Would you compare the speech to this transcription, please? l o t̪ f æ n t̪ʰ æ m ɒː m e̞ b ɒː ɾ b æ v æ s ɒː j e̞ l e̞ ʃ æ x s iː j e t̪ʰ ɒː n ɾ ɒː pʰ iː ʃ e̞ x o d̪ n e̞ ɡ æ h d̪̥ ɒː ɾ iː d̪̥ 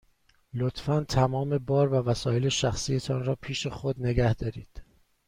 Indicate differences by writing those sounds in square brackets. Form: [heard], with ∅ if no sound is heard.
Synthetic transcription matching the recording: l o t̪ f æ n t̪ʰ æ m ɒː m e̞ b ɒː ɾ [v] æ v æ s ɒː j e̞ l e̞ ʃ æ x s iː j e t̪ʰ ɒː n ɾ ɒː pʰ iː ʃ e̞ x o d̪ n e̞ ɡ æ h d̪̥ ɒː ɾ iː d̪̥